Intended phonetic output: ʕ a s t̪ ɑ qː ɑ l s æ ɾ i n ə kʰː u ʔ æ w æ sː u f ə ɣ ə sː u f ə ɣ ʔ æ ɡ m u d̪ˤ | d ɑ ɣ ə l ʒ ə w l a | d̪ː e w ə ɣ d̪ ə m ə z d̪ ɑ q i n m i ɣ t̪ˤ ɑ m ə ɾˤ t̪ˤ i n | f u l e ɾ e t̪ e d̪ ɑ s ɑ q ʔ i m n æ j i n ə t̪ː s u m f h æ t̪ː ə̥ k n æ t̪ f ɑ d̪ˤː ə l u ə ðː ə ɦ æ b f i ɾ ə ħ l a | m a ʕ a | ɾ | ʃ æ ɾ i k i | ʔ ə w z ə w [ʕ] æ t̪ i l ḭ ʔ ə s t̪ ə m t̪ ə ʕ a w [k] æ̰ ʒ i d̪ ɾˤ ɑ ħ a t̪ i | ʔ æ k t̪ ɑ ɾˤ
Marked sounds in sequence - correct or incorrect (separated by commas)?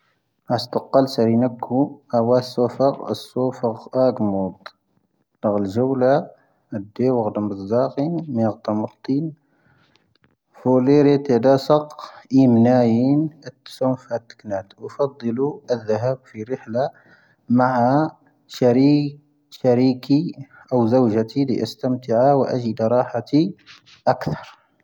incorrect, incorrect